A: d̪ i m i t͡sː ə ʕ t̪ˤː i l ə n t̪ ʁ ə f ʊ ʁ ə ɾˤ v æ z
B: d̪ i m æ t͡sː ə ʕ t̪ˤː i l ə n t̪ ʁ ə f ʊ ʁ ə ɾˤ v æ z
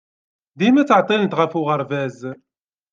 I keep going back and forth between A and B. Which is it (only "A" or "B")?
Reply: B